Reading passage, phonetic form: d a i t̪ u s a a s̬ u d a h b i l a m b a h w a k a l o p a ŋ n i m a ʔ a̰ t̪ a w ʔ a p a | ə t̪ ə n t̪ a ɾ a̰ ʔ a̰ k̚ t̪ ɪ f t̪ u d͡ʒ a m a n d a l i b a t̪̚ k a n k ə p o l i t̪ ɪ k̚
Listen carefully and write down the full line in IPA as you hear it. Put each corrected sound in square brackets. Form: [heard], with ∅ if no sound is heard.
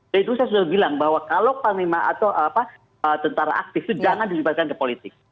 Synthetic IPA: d a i t̪ u s a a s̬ u d a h b i l a [ŋ] b a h w a k a l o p a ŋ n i m a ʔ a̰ t̪ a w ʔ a p a | ə t̪ ə n t̪ a ɾ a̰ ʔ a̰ k̚ t̪ ɪ f t̪ u d͡ʒ a [ŋ] a n d [i] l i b a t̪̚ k a n k ə p o l i t̪ ɪ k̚